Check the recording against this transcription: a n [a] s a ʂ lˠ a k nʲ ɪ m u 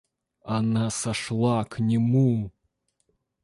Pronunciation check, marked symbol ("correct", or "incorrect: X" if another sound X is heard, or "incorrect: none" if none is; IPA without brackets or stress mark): correct